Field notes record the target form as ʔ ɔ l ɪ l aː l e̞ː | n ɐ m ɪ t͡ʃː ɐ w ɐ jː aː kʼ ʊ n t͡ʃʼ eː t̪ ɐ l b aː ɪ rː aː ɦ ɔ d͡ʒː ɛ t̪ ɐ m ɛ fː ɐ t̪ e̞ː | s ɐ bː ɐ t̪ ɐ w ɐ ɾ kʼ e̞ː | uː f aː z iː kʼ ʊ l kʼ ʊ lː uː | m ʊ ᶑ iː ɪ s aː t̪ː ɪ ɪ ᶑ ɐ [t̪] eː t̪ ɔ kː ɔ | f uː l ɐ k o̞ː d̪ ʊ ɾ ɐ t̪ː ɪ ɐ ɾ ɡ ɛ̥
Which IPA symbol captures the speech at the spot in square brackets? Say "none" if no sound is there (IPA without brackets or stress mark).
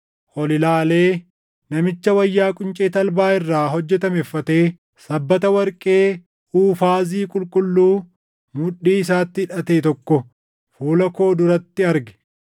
t̪